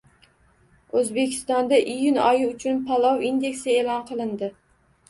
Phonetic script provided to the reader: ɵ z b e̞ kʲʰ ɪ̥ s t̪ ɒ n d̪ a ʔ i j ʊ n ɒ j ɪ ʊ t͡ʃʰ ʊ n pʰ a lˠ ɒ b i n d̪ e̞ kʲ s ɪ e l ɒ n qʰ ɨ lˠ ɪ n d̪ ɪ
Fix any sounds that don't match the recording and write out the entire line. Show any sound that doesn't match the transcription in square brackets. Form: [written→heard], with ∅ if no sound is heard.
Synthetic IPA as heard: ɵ z b e̞ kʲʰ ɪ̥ s t̪ ɒ n d̪ a ʔ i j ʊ n ɒ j ɪ ʊ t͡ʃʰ ʊ n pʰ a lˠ ɒ [b→w] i n d̪ e̞ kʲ s ɪ e l ɒ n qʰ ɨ lˠ ɪ n d̪ ɪ